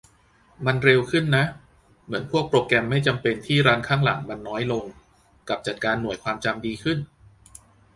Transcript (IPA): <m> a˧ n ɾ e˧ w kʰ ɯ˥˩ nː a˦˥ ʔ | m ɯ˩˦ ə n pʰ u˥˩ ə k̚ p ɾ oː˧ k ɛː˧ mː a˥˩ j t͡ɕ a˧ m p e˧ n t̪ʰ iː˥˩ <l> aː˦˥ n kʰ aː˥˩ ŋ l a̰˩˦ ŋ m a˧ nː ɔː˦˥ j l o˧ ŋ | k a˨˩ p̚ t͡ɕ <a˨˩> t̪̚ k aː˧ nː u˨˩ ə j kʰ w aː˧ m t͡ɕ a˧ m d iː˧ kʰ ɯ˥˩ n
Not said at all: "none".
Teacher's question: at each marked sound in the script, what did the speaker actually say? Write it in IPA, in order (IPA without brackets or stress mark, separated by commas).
m, ɾ, a˨˩